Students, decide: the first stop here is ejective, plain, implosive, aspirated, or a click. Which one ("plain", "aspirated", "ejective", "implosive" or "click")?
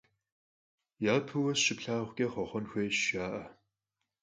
aspirated